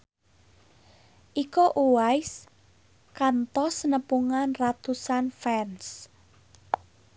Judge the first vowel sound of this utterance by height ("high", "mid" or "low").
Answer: high